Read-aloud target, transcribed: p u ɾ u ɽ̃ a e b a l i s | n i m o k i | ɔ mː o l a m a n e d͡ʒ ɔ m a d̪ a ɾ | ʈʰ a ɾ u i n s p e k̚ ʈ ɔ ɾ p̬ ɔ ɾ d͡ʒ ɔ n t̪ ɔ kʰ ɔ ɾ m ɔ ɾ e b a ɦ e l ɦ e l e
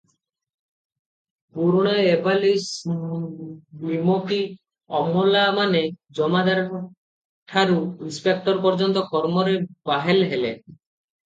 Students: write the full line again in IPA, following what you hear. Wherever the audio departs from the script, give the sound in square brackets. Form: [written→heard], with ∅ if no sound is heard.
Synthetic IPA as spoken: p u ɾ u ɽ̃ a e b a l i s | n i m o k i | ɔ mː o l a m a n e d͡ʒ ɔ m a d̪ a ɾ | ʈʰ a ɾ u i n s p e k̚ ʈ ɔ ɾ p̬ ɔ ɾ d͡ʒ ɔ n t̪ ɔ [kʰ→k] ɔ ɾ m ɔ ɾ e b a ɦ e l ɦ e l e